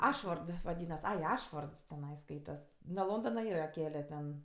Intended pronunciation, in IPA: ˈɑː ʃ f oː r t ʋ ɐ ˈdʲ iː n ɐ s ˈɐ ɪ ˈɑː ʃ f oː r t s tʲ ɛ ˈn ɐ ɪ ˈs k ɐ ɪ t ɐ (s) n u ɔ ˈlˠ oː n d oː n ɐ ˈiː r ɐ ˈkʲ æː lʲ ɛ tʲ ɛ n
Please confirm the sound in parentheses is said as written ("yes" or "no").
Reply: yes